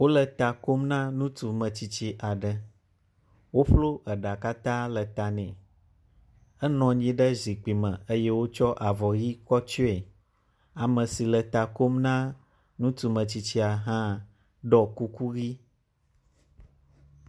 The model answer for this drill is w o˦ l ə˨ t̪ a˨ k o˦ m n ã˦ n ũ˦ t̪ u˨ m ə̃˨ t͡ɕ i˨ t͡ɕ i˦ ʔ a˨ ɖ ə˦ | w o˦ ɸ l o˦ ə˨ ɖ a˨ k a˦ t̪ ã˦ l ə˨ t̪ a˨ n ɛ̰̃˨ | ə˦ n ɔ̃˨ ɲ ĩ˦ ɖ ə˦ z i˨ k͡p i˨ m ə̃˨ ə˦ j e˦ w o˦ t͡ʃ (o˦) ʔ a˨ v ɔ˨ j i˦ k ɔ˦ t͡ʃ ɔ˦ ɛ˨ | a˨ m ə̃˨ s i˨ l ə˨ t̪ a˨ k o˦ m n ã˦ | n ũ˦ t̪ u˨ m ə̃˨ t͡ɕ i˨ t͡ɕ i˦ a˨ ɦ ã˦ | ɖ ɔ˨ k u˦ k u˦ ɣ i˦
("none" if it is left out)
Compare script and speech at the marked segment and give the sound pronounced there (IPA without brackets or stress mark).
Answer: ɔ˦